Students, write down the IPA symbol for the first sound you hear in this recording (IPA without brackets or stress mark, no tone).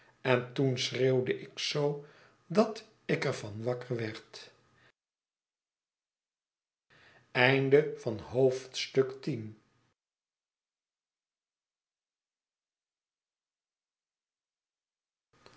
ɛ